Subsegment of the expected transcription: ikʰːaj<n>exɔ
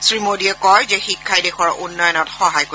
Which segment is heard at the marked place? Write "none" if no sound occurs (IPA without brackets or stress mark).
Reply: d